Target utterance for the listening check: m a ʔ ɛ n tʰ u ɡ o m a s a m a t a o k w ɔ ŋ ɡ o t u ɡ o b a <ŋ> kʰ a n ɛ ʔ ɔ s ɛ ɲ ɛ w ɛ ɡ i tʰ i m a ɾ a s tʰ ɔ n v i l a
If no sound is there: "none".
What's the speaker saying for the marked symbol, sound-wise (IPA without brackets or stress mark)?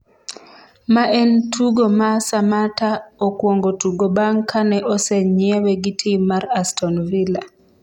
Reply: ŋ